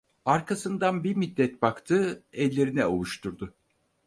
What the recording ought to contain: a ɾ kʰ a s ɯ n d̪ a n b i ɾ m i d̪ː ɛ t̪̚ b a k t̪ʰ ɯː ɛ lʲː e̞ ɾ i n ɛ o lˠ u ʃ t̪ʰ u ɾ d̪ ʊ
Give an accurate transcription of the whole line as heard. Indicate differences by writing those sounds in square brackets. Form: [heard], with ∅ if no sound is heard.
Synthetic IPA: a ɾ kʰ a s ɯ n d̪ a n b i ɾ m i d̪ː ɛ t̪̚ b a k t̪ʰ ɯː ɛ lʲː e̞ ɾ i n ɛ o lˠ u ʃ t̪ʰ u ɾ d̪ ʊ